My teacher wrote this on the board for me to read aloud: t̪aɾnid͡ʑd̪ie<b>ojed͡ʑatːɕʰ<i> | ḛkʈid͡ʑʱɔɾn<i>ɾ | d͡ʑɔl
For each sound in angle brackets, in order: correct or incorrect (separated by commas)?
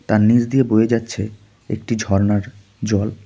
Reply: correct, incorrect, incorrect